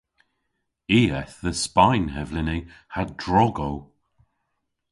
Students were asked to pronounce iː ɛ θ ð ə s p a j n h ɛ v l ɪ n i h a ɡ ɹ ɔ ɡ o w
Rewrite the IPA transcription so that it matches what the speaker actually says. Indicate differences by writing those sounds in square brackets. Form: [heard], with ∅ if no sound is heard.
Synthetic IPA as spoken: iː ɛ θ ð ə s p a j n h ɛ v l ɪ n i h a [d] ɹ ɔ ɡ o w